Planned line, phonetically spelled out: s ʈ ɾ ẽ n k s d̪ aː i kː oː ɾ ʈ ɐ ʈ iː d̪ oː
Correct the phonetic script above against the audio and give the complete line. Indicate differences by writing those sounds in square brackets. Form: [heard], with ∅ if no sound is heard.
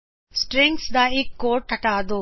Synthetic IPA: s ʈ ɾ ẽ [ŋ] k s d̪ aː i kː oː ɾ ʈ ɐ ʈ [aː] d̪ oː